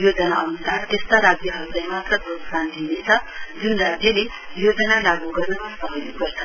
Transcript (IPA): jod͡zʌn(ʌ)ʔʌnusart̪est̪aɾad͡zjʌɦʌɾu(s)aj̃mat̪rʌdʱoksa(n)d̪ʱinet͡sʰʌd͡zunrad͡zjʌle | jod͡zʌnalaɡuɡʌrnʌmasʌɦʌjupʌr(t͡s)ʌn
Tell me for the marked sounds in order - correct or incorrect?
incorrect: a, incorrect: t͡s, correct, incorrect: t͡sʰ

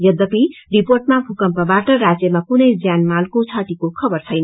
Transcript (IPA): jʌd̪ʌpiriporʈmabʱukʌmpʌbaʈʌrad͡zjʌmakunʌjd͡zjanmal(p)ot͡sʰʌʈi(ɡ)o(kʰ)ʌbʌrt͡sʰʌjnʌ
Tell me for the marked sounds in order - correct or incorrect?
incorrect: k, incorrect: k, correct

